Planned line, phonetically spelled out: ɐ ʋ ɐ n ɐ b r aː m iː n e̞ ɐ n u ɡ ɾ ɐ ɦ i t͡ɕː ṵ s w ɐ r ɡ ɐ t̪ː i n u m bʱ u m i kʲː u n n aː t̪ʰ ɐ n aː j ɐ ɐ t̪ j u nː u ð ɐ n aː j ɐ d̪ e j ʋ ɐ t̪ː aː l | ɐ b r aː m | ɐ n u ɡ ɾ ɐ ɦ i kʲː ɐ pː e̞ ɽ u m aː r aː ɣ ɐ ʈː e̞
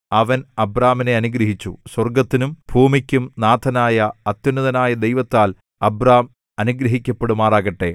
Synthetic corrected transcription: ɐ ʋ ɐ n ɐ b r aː m i n e̞ ɐ n u ɡ ɾ ɐ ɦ i t͡ɕː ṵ s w ɐ r ɡ ɐ t̪ː i n u m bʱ uː m i kʲː u m n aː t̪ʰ ɐ n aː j ɐ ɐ t̪ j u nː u ð ɐ n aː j ɐ d̪ e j ʋ ɐ t̪ː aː l | ɐ b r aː m | ɐ n u ɡ ɾ ɐ ɦ i kʲː ɐ pː e̞ ɽ u m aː r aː ɣ ɐ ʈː e̞